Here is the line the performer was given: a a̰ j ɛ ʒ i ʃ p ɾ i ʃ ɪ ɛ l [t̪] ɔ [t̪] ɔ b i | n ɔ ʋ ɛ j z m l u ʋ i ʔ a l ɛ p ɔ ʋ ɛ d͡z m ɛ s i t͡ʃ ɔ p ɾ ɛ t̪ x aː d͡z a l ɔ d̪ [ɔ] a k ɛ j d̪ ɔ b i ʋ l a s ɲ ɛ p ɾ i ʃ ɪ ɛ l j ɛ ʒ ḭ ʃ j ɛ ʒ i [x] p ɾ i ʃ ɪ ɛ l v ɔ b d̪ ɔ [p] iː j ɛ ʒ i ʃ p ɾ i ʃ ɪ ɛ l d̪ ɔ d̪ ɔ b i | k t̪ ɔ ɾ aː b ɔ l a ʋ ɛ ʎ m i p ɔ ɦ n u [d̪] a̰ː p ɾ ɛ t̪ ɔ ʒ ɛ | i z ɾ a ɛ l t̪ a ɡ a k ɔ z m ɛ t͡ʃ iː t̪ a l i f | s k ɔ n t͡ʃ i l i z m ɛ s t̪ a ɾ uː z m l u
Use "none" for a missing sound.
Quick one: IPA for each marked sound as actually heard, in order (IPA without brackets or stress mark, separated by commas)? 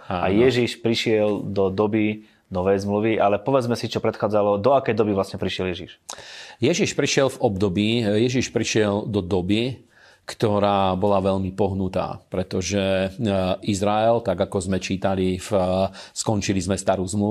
d̪, d̪, ɔ, ʃ, b, t̪